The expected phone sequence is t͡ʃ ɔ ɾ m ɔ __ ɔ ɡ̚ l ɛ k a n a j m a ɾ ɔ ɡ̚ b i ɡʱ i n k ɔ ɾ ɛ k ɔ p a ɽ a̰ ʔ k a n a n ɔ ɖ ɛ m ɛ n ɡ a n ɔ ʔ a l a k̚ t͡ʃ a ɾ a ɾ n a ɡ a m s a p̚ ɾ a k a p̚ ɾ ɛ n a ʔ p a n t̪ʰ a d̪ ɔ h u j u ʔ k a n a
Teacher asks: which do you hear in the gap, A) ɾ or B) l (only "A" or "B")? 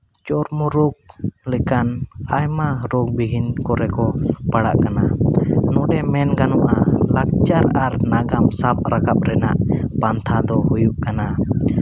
A